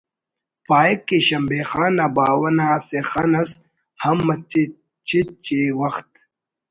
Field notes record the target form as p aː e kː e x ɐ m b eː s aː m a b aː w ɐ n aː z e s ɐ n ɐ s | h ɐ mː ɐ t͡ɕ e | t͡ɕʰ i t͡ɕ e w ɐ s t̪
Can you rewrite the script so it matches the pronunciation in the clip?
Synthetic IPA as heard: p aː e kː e ɕ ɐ m b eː x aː n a b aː w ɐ n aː s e x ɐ n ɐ s | h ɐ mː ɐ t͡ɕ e | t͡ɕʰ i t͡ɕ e w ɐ x t̪